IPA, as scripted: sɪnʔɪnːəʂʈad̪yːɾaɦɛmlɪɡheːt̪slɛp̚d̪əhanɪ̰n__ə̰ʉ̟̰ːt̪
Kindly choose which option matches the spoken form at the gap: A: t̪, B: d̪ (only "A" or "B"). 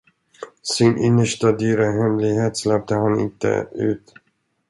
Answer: A